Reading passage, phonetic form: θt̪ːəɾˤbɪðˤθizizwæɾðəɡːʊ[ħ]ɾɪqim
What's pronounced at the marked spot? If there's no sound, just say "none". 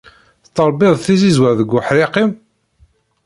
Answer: ħ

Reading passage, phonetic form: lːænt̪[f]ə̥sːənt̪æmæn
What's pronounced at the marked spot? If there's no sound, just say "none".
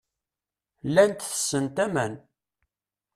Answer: θ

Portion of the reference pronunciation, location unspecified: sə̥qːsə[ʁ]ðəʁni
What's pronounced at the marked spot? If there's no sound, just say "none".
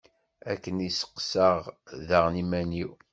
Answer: ʁ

